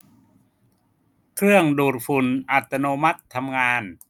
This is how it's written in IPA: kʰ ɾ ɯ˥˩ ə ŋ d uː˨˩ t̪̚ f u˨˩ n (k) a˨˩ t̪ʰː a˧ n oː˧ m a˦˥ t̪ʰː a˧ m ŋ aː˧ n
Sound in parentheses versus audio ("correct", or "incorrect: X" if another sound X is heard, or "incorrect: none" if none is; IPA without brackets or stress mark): incorrect: ʔ